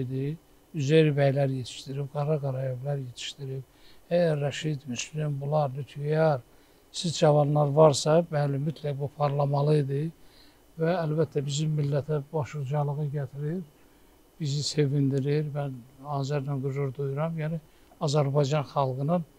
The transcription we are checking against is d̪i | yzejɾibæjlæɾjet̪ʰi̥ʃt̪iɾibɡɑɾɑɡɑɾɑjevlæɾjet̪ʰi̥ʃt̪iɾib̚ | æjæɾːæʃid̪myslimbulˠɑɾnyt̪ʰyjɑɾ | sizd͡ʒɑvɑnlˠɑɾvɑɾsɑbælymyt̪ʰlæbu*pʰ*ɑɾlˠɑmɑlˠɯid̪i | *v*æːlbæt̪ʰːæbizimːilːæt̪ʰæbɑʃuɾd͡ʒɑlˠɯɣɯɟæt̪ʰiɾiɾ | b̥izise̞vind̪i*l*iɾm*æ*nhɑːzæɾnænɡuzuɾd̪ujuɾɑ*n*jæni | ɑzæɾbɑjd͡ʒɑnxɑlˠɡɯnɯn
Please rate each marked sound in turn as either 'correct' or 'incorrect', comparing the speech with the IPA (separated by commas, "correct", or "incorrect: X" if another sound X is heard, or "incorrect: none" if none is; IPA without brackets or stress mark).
correct, correct, incorrect: ɾ, correct, incorrect: m